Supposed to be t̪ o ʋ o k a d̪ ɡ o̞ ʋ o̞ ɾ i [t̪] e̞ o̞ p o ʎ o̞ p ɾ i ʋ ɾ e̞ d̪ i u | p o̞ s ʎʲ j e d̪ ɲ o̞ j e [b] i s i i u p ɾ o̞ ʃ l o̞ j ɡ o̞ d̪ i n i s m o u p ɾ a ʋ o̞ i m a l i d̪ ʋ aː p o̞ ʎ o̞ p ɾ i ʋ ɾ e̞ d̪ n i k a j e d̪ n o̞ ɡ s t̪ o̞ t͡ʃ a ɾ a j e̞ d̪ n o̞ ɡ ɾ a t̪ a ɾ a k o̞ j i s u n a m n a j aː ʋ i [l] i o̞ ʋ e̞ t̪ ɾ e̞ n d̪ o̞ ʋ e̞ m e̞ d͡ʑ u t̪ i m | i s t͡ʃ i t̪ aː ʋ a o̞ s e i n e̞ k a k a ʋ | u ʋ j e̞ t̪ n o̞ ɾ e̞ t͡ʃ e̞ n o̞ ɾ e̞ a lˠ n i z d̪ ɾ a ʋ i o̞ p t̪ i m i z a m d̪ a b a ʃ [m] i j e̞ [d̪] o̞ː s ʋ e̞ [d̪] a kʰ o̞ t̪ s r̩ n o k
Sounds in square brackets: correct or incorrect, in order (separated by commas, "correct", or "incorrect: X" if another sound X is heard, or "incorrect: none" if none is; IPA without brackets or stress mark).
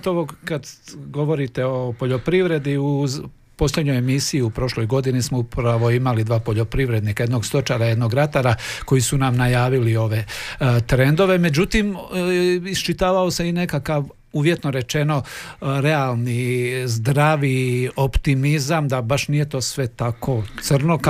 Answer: correct, incorrect: m, correct, incorrect: n, incorrect: t̪, incorrect: t̪